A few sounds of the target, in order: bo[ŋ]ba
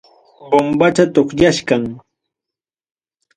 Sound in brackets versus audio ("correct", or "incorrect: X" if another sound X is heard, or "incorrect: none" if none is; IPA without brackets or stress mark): incorrect: m